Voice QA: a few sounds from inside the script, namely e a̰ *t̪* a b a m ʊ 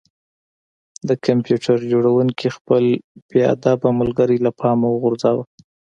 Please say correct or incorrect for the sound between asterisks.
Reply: incorrect